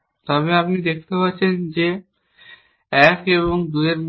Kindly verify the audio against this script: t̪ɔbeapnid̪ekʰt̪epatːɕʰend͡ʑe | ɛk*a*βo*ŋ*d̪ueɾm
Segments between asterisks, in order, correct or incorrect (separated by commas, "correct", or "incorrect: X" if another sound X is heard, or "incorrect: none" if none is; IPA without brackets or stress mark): incorrect: e, correct